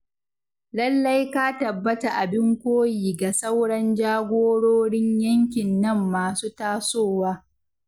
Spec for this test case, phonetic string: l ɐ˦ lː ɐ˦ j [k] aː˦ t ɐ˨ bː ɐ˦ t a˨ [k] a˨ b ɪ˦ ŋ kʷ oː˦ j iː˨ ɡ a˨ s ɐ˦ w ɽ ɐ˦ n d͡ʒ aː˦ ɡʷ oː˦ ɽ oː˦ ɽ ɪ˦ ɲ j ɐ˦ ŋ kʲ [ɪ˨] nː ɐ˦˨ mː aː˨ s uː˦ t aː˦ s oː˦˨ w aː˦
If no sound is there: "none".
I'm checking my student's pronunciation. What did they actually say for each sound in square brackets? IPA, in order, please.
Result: k, ʔ, ɪ˨

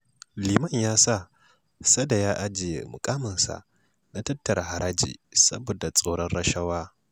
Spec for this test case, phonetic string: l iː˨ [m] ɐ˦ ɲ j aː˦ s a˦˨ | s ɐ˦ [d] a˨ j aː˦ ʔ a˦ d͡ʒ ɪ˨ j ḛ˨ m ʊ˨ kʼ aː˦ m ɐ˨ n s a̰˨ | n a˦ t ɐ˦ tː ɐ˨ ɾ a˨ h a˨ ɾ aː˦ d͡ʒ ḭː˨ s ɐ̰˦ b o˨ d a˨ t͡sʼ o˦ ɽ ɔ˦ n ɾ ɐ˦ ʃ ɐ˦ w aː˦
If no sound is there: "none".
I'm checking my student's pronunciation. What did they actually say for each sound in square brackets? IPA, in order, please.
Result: m, d

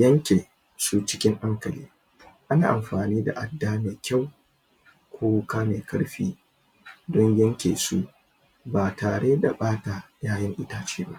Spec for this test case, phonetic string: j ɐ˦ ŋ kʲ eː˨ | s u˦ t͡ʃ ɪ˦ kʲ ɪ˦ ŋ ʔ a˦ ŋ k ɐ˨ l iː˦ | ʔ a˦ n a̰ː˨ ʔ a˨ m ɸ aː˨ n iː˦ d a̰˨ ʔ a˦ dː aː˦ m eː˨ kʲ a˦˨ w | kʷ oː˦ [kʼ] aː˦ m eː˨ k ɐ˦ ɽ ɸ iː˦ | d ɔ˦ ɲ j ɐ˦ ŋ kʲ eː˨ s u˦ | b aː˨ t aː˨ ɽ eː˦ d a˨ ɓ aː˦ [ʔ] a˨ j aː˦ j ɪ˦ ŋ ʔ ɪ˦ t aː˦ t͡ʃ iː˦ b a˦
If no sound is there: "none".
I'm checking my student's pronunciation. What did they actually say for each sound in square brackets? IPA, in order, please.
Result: k, t

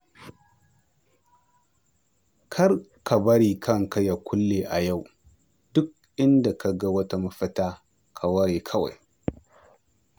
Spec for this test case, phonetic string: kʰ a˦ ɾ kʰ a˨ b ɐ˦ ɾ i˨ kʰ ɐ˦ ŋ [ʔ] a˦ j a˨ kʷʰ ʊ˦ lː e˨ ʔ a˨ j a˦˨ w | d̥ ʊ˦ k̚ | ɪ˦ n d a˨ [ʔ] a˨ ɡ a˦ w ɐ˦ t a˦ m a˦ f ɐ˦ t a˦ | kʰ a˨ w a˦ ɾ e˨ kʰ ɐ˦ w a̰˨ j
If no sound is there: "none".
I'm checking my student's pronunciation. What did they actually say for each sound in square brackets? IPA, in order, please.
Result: k, k

